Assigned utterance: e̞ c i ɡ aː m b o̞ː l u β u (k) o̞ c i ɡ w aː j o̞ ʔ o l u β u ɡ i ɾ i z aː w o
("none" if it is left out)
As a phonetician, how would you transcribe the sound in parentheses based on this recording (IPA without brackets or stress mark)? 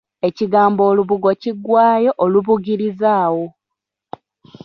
ɡ